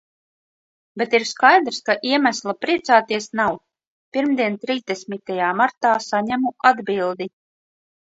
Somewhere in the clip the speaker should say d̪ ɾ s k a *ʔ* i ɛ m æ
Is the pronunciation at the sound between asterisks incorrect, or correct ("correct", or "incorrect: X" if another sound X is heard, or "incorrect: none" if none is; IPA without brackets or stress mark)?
correct